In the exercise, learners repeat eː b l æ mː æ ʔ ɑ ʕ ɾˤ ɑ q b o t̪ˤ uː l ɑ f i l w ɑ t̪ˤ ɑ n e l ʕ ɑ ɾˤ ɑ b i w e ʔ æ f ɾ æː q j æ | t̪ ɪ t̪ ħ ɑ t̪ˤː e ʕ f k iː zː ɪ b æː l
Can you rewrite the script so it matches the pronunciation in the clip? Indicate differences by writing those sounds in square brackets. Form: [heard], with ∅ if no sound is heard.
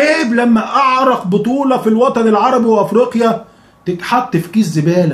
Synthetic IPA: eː b l æ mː æ ʔ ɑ ʕ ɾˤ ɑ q b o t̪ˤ uː l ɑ f i l w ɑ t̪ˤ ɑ n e l ʕ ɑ ɾˤ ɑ b i w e ʔ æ f ɾ [iː] q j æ | t̪ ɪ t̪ ħ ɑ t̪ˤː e [∅] f k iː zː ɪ b æː l